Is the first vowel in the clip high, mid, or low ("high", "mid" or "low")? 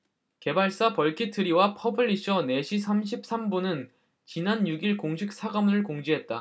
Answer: mid